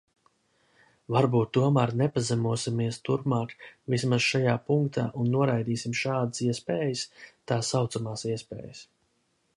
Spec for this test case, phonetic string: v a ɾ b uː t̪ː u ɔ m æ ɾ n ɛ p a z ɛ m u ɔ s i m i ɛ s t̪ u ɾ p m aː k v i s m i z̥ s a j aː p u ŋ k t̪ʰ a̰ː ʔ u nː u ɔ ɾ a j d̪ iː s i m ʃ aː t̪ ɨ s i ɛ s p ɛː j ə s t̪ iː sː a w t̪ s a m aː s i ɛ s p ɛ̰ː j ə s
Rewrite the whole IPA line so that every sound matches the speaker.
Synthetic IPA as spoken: v a ɾ b uː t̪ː u ɔ m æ ɾ n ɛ p a z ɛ m u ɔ s i m i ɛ s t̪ u ɾ p m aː k v i s m a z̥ ʃ a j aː p u ŋ k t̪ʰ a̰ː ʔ u nː u ɔ ɾ a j d̪ iː s i m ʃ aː d̪ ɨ s i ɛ s p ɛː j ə s t̪ aː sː a w t̪ s a m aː s i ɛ s p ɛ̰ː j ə s